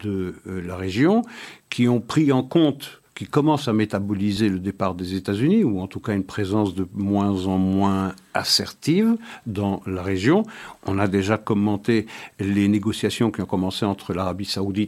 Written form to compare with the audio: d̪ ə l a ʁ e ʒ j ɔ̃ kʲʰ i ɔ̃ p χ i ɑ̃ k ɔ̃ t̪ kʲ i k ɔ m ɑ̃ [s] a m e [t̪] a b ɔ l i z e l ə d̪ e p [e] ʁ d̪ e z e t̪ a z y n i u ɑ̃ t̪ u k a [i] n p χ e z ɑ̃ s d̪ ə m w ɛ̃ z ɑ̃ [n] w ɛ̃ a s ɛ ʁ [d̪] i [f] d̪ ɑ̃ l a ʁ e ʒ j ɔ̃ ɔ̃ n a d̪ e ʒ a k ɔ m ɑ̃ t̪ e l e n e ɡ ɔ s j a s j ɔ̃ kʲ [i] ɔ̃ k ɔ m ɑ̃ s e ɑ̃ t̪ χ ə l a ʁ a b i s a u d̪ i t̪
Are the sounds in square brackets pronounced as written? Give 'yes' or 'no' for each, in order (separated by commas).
yes, yes, no, no, no, no, no, yes